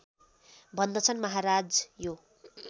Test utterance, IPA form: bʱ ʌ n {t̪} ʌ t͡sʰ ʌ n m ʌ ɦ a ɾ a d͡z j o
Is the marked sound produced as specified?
no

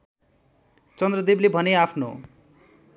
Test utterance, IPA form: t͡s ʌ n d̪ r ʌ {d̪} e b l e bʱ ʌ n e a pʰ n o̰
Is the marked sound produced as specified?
yes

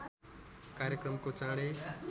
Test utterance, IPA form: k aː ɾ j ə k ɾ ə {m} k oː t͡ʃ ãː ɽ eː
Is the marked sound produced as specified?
yes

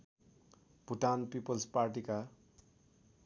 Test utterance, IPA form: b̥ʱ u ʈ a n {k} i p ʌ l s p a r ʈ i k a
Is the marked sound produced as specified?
no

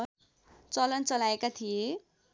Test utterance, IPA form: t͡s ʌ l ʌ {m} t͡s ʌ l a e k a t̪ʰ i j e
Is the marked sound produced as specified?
no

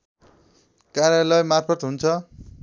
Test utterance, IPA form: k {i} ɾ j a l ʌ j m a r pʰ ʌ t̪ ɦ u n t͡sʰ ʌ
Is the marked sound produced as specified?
no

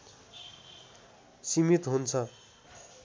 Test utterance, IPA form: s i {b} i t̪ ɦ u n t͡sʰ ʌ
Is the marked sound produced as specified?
no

